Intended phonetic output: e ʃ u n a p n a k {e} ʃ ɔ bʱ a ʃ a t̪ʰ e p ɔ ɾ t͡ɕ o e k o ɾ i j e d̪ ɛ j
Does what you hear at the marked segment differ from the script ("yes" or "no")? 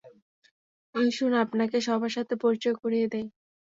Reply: no